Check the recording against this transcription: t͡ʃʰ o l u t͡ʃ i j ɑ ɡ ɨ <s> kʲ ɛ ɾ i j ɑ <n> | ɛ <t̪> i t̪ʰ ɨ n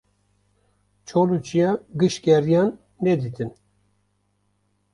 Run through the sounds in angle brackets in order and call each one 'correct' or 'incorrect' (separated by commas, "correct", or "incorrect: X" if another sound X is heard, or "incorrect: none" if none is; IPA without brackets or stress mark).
incorrect: ʃ, incorrect: nː, incorrect: d̪